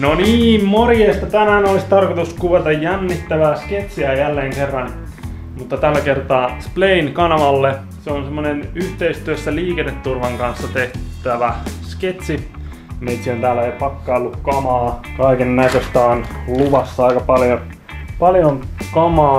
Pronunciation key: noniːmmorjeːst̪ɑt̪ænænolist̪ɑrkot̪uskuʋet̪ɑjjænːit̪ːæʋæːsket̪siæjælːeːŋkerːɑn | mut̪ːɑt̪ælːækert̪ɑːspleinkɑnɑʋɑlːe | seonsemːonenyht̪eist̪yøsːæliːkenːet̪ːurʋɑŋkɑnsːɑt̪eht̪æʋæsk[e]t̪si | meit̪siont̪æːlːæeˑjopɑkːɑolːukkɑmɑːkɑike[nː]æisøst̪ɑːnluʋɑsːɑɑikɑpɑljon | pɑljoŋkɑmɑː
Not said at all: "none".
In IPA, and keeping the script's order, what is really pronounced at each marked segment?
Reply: e, nː

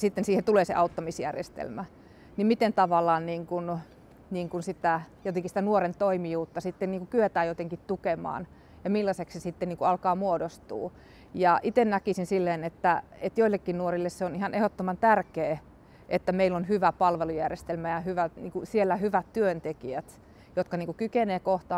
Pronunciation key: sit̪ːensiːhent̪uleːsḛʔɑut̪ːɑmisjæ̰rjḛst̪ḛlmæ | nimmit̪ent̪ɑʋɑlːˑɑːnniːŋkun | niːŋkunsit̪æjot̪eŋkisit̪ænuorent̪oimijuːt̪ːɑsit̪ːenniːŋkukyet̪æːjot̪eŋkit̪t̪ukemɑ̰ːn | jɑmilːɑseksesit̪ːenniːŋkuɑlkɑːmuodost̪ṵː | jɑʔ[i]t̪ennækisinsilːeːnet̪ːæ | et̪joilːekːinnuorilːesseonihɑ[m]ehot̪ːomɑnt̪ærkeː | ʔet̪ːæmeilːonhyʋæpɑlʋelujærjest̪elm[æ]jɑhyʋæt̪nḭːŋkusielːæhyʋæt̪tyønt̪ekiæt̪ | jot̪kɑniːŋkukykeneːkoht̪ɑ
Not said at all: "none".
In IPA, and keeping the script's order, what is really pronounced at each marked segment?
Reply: i, n, æ

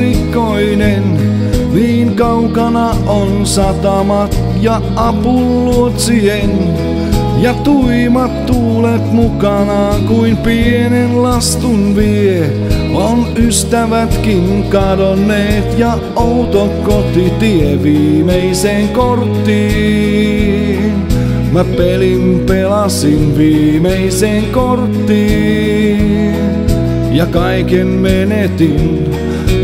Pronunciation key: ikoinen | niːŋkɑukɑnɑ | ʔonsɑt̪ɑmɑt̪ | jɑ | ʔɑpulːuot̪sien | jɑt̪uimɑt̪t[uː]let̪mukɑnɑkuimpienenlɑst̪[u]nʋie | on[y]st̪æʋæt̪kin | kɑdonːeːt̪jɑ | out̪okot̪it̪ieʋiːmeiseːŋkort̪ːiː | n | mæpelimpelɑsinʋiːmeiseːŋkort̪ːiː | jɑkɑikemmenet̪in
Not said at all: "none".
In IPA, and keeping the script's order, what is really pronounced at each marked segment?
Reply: uː, u, y

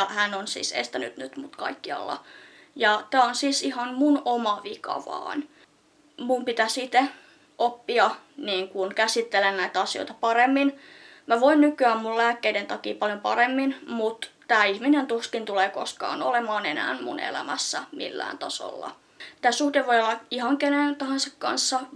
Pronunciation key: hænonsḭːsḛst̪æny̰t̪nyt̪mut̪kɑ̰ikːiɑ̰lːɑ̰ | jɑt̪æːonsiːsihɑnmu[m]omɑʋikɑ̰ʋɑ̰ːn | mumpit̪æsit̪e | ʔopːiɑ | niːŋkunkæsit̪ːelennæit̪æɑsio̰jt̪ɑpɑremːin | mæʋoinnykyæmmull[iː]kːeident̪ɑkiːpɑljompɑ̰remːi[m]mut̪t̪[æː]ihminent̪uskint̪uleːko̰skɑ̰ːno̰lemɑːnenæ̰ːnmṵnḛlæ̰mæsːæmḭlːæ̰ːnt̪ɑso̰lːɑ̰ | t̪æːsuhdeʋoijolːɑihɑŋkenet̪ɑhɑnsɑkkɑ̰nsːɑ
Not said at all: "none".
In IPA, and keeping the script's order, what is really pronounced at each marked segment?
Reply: n, æː, n, æː

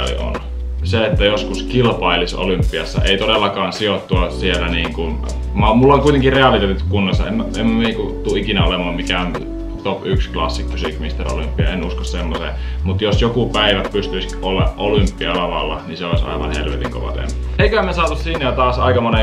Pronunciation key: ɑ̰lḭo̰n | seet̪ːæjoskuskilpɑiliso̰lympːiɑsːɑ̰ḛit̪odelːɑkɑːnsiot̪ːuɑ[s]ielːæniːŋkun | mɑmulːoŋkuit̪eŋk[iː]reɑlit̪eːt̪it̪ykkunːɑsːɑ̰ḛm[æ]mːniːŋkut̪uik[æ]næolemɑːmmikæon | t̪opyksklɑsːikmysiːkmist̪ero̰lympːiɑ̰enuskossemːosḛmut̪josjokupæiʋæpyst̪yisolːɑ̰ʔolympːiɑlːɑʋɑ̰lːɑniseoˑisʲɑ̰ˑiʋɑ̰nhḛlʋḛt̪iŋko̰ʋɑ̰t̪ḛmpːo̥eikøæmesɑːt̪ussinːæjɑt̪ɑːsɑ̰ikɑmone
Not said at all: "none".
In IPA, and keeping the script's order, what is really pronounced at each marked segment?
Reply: s, i, e, i

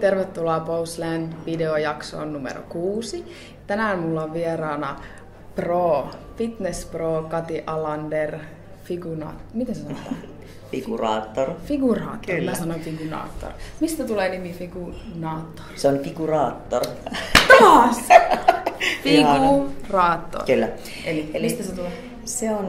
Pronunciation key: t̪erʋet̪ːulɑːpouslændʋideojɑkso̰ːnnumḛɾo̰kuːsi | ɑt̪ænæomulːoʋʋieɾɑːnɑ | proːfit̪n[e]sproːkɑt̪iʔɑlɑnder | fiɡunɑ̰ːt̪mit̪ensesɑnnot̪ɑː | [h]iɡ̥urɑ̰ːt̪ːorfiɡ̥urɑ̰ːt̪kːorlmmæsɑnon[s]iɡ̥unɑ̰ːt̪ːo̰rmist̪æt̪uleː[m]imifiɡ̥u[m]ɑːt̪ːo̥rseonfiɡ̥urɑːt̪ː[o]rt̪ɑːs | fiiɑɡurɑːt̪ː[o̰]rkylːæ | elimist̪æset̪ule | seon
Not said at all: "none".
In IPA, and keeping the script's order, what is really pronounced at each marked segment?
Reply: e, f, f, n, n, o, o̰

